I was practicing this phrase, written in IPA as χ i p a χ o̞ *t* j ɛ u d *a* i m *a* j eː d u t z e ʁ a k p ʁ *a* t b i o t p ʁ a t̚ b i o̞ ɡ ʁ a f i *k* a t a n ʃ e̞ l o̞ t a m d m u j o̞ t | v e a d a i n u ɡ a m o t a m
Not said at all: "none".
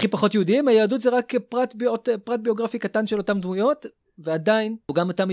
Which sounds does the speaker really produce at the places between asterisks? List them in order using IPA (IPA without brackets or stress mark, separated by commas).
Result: t, i, a, a, k